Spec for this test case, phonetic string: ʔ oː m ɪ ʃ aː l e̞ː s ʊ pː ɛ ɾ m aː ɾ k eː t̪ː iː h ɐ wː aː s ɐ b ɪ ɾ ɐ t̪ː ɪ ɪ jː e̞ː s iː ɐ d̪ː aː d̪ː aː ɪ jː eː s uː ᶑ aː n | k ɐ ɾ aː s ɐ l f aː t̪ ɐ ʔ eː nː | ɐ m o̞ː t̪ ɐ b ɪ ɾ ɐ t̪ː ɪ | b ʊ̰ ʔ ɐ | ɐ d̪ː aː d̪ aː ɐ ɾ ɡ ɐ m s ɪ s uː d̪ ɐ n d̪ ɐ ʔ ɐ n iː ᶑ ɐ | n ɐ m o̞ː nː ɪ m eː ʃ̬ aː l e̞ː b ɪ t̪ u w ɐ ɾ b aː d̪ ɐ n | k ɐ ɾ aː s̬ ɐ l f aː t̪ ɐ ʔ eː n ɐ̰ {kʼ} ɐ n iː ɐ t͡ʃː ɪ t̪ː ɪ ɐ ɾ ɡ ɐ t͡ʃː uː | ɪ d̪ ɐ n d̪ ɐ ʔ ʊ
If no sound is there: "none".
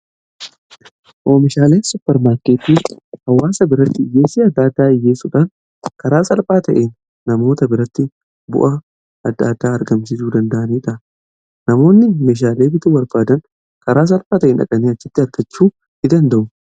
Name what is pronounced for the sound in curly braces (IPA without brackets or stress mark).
kʼ